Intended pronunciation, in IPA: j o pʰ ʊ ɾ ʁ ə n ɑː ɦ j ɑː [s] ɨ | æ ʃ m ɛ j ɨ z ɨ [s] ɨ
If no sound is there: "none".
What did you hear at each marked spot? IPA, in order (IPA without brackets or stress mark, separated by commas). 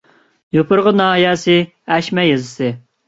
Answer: s, s